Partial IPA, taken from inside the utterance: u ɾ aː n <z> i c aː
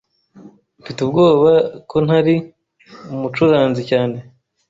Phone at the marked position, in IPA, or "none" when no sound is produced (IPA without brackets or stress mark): z